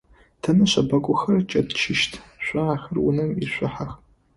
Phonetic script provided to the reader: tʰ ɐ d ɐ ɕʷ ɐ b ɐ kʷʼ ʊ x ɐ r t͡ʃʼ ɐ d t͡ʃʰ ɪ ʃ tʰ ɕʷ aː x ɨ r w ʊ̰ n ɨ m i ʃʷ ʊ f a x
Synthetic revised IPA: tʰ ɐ n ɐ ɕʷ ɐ b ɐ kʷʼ ʊ x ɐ r t͡ʃʼ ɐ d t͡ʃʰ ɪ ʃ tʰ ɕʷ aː x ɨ r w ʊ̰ n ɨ m i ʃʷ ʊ ħ a x